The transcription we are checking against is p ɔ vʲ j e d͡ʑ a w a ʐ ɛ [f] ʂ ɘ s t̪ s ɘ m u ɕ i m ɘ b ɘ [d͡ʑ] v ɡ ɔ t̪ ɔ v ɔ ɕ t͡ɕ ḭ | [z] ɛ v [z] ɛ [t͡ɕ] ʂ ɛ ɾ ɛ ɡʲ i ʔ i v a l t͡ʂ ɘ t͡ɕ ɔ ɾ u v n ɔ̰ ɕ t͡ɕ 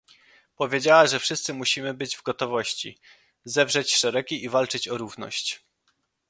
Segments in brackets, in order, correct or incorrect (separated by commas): correct, correct, correct, incorrect, correct